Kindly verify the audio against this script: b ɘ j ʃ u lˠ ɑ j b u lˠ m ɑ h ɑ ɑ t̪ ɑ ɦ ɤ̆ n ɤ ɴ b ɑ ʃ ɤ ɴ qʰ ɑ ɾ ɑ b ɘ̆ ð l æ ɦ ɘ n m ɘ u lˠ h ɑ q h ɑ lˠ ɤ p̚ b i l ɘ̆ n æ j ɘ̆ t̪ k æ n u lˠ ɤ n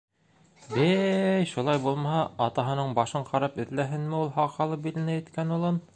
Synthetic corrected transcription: b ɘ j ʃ u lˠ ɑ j b u lˠ m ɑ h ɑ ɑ t̪ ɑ ɦ ɤ̆ n ɤ ɴ b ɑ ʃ ɤ ɴ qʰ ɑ ɾ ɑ p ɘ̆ ð l æ ɦ ɘ n m ɘ u lˠ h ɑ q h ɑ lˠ ɤ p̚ b i l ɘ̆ n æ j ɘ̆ t̪ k æ n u lˠ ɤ n